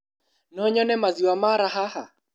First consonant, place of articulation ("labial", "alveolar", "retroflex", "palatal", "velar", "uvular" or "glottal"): alveolar